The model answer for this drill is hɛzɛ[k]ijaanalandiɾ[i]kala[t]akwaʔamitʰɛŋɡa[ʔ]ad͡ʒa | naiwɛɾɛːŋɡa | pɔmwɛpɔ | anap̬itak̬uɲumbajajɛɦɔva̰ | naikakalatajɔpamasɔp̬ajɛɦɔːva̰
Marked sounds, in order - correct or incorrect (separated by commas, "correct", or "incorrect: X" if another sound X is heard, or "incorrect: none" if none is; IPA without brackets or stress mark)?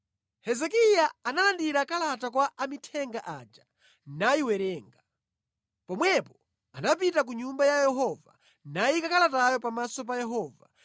correct, incorrect: a, correct, correct